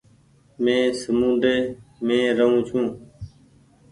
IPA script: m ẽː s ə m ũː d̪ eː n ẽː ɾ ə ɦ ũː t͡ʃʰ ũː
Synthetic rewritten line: m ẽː s ə m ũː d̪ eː m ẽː ɾ ə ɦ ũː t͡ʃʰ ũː